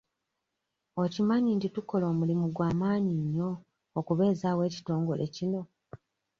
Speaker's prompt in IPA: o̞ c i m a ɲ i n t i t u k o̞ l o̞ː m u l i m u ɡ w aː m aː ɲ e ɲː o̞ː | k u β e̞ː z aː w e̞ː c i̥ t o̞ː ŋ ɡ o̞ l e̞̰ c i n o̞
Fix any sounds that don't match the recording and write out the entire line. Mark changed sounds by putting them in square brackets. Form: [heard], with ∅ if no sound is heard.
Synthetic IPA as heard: o̞ c i m a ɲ i n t i t u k o̞ l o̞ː m u l i m u ɡ w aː m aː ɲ [i] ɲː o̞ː | k u β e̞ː z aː w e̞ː c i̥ t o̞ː ŋ ɡ o̞ l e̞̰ c i n o̞